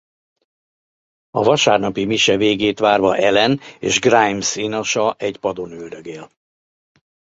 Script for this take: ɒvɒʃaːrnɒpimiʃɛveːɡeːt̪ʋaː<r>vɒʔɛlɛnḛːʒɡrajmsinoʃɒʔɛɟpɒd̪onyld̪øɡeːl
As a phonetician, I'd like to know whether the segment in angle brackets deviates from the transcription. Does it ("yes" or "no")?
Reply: no